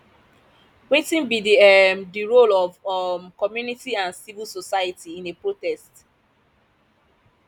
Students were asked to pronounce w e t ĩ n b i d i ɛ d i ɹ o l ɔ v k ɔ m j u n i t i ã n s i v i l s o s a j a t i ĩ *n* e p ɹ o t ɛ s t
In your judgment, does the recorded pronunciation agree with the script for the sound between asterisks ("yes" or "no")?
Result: yes